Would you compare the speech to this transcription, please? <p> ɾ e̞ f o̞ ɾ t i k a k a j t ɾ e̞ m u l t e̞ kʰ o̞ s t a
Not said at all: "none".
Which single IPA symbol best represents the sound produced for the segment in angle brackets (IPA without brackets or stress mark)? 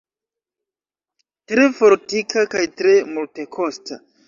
t